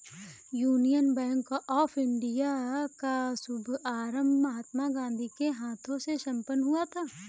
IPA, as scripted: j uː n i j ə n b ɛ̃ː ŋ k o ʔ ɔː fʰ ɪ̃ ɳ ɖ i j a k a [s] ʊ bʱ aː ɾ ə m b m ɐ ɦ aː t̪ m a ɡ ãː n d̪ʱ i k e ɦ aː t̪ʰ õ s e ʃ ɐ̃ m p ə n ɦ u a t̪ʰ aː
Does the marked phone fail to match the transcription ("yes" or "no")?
no